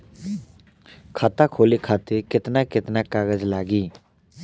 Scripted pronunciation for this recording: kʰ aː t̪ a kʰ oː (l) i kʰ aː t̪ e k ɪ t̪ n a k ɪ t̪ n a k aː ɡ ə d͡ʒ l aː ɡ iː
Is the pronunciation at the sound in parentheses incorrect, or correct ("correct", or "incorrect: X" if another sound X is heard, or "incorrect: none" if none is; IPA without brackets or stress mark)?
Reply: correct